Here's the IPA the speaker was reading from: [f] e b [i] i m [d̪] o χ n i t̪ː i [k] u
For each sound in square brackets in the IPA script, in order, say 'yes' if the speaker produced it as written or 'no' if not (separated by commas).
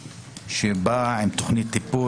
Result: no, no, no, no